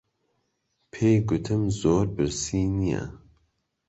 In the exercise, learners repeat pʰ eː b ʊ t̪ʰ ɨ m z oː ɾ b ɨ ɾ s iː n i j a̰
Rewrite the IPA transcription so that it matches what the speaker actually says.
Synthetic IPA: pʰ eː ɡ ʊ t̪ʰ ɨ m z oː ɾ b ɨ ɾ s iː n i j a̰